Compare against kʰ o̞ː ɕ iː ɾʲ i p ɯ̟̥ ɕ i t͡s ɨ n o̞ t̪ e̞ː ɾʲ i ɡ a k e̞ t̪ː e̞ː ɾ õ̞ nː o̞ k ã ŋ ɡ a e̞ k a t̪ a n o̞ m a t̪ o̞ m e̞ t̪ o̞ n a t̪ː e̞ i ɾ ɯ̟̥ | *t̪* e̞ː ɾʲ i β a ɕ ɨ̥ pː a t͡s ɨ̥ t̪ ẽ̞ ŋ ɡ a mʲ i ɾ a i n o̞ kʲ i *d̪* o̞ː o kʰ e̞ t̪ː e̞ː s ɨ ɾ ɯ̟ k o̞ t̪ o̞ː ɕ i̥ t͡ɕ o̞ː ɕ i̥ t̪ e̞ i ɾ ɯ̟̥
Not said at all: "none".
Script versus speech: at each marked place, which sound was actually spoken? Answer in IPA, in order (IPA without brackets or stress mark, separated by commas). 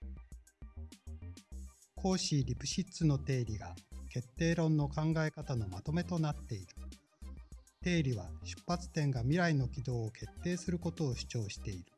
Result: t̪, d̪